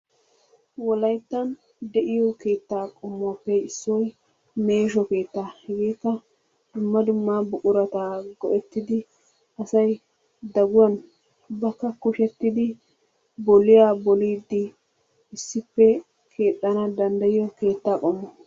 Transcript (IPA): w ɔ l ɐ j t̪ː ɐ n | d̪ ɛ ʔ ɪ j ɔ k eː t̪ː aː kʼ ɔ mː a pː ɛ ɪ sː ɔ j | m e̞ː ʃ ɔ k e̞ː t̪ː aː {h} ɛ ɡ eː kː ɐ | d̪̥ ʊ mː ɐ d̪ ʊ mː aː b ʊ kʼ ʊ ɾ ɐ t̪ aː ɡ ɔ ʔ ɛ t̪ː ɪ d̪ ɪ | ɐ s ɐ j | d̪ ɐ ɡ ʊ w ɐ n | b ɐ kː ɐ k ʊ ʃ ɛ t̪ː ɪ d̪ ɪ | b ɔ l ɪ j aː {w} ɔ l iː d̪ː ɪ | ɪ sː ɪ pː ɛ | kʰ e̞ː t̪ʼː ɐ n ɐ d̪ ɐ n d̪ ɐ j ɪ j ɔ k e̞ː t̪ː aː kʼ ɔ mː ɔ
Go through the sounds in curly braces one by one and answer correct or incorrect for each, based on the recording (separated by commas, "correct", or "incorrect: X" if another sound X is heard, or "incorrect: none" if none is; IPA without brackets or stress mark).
correct, incorrect: b